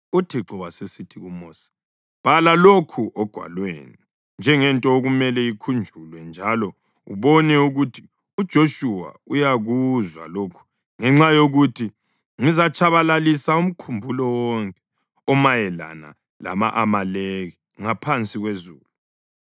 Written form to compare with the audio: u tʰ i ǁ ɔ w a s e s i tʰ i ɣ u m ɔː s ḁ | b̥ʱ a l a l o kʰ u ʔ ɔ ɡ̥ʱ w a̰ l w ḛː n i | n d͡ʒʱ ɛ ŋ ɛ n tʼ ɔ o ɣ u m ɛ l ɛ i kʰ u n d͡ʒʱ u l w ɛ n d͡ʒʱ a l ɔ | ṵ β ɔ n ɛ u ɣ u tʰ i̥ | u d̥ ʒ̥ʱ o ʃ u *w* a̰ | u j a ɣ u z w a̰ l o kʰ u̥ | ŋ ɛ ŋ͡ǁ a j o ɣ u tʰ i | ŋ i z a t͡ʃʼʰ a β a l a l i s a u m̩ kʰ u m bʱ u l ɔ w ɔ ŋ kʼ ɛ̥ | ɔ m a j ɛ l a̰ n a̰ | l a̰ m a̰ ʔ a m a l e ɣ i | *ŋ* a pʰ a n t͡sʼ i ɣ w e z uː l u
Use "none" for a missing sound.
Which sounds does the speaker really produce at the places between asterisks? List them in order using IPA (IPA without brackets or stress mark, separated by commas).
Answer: w, ŋ